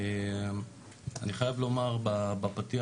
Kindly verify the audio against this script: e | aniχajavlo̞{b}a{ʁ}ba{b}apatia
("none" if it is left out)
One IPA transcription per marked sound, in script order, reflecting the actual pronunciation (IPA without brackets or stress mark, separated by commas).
m, ʁ, b